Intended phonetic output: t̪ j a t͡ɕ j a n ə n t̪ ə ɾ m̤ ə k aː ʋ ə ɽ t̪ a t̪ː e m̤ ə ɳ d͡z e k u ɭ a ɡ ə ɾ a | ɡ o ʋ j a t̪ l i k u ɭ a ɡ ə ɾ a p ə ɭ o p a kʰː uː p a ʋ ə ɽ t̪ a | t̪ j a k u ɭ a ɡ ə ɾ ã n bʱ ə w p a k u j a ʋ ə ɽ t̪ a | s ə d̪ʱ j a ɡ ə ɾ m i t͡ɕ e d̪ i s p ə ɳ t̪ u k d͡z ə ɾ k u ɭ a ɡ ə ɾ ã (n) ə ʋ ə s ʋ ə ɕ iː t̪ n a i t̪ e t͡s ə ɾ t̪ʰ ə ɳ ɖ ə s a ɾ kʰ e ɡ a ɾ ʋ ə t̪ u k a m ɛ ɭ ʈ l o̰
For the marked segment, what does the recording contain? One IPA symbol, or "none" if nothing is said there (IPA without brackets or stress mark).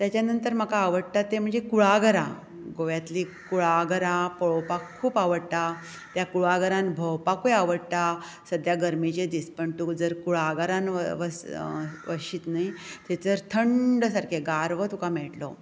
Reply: n